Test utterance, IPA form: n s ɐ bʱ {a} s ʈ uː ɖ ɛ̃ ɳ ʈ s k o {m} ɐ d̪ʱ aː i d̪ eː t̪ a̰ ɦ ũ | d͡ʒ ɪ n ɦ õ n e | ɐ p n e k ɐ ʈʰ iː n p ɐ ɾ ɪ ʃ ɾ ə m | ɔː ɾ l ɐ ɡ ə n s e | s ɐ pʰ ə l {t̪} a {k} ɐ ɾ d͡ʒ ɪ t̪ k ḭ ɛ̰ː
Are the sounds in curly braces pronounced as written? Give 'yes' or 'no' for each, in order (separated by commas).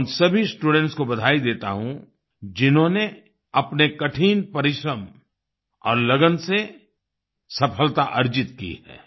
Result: no, no, yes, no